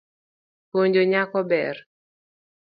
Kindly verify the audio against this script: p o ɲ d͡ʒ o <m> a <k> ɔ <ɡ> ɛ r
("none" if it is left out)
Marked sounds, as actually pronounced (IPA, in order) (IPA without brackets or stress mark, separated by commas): ɲ, k, b